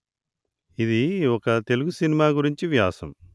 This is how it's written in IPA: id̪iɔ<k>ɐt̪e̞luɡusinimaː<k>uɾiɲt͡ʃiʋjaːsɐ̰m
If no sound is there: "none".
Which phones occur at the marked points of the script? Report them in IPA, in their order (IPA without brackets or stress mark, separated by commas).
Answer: k, ɡ